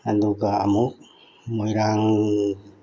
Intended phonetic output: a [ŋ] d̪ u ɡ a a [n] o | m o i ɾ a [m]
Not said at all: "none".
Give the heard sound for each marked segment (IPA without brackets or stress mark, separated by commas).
n, m, ŋ